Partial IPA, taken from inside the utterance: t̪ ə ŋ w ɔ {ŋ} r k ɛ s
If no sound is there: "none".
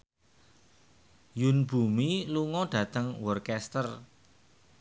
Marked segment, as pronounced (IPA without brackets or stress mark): none